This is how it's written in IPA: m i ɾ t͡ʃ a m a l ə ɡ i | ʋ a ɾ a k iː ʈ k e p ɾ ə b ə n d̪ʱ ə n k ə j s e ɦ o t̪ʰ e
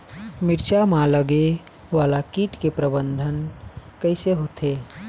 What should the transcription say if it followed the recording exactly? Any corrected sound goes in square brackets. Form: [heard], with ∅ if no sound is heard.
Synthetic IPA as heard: m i ɾ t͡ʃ a m a l ə ɡ [e] | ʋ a [l] a k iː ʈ k e p ɾ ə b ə n d̪ʱ ə n k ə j s e ɦ o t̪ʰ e

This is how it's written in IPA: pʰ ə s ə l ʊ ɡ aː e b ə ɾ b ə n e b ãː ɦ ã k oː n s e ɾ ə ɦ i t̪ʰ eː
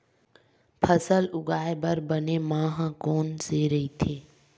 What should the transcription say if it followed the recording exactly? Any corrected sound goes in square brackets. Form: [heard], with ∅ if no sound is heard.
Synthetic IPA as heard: pʰ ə s ə l ʊ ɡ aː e b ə ɾ b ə n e [m] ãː ɦ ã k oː n s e ɾ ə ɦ i t̪ʰ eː

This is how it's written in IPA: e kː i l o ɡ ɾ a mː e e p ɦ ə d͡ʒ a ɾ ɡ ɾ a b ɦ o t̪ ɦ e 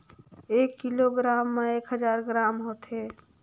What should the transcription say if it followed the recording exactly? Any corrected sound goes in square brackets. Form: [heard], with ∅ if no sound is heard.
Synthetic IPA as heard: e kː i l o ɡ ɾ a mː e e [k] ɦ ə d͡ʒ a ɾ ɡ ɾ a [m] ɦ o t̪ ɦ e

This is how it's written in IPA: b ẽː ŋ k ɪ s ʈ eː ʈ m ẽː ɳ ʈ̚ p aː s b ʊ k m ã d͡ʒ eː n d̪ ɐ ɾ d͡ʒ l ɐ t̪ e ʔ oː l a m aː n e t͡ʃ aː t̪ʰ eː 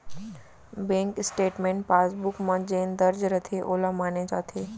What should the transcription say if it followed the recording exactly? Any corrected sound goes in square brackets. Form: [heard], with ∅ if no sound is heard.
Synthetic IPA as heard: b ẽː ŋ k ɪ s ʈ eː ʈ m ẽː ɳ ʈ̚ p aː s b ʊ k m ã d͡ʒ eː n d̪ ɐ ɾ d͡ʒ [ɾ] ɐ [t̪ʰ] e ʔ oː l a m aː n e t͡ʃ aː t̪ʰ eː

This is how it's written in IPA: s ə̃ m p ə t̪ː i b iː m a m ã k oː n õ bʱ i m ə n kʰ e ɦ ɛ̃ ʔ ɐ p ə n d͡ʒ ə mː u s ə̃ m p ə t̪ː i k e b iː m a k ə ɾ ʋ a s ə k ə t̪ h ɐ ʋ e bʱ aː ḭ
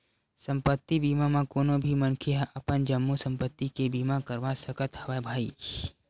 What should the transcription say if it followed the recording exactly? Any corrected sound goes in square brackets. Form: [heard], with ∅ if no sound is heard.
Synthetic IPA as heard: s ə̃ m p ə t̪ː i b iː m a m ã k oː n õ bʱ i m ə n kʰ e ɦ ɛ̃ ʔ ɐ p ə n d͡ʒ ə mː u s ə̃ m p ə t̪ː i k e b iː m a k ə ɾ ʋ a s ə k ə t̪ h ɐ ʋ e bʱ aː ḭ

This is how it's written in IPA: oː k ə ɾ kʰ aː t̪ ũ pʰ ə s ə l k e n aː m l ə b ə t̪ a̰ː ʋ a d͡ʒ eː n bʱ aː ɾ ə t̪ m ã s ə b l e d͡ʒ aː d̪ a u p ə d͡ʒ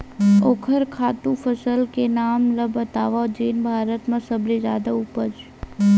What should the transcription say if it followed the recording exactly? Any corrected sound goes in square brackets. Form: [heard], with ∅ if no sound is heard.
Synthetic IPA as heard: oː [kʰ] ə ɾ kʰ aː t̪ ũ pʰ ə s ə l k e n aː m l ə b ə t̪ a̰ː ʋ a d͡ʒ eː n bʱ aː ɾ ə t̪ m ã s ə b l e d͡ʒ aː d̪ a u p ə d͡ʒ

